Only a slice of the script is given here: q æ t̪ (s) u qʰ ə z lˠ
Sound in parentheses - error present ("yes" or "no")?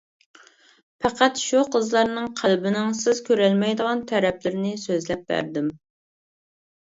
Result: yes